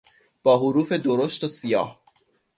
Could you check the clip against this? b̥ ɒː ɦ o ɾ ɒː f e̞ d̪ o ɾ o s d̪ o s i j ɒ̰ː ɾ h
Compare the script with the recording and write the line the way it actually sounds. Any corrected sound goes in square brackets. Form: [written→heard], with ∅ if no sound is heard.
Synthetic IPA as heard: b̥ ɒː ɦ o ɾ [ɒː→uː] f e̞ d̪ o ɾ o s [d̪→t̪] o s i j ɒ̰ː [ɾ→∅] h